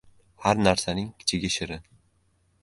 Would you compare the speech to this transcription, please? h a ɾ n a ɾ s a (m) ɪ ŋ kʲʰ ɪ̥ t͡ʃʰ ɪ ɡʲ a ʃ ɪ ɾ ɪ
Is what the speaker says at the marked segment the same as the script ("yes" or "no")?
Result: no